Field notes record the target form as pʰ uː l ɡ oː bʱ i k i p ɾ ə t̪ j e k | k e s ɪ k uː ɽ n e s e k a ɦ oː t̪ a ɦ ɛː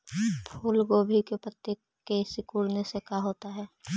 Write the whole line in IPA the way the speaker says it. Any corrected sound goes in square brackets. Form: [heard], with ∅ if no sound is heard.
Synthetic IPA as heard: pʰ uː l ɡ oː bʱ i k [e] p ɾ ə t̪ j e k | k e s ɪ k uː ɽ n e s e k a ɦ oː t̪ a ɦ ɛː